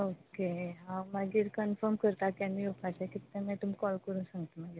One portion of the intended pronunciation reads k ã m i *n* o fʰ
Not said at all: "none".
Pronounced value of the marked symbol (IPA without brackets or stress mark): none